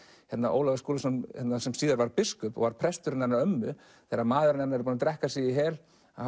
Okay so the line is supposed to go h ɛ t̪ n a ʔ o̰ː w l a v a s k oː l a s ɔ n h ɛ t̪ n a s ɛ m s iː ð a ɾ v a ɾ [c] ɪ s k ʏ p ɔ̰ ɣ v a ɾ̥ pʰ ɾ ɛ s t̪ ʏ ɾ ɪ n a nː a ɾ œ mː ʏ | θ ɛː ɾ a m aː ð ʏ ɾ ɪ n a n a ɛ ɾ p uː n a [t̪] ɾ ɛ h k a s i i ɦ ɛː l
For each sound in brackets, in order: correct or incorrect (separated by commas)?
incorrect, correct